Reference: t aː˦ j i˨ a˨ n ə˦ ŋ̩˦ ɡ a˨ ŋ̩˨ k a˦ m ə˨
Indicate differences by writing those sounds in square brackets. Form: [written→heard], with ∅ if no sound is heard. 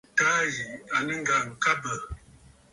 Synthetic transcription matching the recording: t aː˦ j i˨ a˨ n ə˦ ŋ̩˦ ɡ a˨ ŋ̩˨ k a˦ [m→b] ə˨